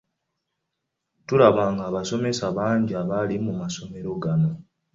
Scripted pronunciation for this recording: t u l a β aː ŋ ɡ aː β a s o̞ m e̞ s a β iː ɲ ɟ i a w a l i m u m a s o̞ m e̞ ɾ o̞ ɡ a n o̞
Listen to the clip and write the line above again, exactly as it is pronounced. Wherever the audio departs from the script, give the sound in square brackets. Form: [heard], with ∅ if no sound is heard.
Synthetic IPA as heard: t u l a β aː ŋ ɡ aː β a s o̞ m e̞ s a β [aː] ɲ ɟ i a [β] a l i m u m a s o̞ m e̞ ɾ o̞ ɡ a n o̞